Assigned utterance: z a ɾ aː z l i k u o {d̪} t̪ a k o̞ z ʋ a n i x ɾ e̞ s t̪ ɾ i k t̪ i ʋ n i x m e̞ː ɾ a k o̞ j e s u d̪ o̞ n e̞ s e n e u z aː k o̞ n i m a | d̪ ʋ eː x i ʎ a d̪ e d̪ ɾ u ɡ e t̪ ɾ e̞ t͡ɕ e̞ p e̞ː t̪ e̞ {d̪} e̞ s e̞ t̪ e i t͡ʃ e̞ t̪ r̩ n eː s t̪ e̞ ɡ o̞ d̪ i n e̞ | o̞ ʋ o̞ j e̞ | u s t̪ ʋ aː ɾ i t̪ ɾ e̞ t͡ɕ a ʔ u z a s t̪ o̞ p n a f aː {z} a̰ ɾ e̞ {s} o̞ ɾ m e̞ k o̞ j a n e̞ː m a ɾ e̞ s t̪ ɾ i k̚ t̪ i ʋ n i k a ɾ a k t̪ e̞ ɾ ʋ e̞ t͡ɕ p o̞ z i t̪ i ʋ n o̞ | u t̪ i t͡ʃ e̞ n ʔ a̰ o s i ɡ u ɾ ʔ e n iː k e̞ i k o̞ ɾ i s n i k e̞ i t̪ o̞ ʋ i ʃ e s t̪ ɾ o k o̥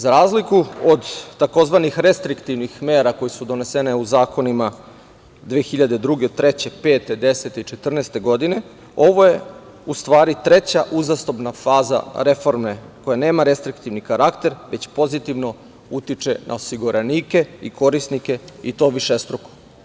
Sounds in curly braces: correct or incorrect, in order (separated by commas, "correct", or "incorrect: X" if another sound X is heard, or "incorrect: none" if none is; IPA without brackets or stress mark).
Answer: correct, correct, correct, incorrect: f